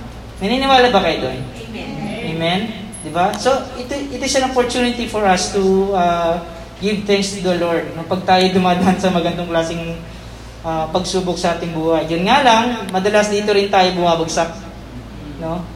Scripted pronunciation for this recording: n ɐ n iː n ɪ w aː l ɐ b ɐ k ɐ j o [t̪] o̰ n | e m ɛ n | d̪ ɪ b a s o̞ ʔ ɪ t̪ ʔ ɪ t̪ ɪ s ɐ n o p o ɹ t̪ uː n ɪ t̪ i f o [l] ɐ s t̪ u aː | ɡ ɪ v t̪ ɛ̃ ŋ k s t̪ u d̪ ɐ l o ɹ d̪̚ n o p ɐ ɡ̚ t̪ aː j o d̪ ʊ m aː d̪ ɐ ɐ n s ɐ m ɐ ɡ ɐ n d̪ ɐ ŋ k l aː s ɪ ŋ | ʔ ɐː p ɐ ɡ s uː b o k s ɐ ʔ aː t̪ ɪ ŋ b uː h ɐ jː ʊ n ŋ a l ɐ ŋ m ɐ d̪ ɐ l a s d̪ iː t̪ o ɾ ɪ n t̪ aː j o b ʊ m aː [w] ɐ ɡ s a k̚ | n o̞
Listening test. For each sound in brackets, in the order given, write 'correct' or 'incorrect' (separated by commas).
incorrect, incorrect, incorrect